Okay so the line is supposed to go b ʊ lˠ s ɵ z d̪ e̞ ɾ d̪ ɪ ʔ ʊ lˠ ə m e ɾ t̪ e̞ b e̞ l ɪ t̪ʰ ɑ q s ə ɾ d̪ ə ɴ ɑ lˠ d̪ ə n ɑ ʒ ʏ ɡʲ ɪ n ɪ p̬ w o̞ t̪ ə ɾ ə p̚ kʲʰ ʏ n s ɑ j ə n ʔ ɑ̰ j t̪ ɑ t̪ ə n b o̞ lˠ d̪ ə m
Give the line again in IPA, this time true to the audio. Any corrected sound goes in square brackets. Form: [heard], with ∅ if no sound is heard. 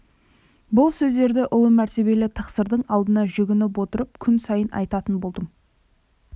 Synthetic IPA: b ʊ lˠ s ɵ z d̪ e̞ ɾ d̪ ɪ ʔ ʊ lˠ ə m [æ] ɾ t̪ e̞ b e̞ l ɪ t̪ʰ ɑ q s ə ɾ d̪ ə ɴ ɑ lˠ d̪ ə n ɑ ʒ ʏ ɡʲ ɪ n ɪ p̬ w o̞ t̪ ə ɾ ə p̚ kʲʰ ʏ n s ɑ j ə n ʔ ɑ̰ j t̪ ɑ t̪ ə n b o̞ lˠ d̪ ə m